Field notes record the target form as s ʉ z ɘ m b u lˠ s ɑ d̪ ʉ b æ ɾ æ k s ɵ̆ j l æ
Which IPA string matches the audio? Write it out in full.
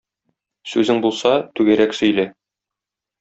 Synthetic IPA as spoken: s ʉ z ɘ ŋ b u lˠ s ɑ t̪ ʉ ɡ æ ɾ æ k s ɵ̆ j l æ